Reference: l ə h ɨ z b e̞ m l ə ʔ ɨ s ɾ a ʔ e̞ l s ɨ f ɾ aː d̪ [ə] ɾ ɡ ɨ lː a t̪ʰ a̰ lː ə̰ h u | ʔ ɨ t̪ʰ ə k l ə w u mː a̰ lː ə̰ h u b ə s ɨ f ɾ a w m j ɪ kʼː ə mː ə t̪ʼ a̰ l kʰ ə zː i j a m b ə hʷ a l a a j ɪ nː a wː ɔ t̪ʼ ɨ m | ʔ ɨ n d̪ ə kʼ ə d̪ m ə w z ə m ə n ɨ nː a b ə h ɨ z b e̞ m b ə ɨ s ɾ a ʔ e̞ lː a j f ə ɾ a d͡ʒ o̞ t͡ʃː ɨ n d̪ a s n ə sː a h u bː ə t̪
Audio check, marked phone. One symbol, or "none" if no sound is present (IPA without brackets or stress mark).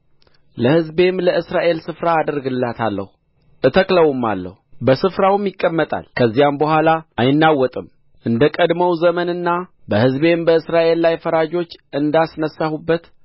ə